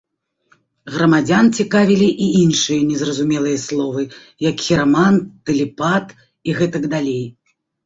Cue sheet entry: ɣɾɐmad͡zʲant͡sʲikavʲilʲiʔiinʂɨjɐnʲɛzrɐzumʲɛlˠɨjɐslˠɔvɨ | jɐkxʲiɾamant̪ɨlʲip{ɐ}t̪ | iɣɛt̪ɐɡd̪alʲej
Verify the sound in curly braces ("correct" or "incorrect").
incorrect